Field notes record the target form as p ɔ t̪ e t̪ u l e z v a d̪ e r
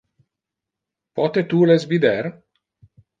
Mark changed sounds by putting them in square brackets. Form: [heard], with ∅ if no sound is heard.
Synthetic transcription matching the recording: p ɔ t̪ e t̪ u l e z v [i] d̪ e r